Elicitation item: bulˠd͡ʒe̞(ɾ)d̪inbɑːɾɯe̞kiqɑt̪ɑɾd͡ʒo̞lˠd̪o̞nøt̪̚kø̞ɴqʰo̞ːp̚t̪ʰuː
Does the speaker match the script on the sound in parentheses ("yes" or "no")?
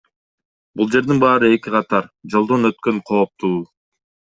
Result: yes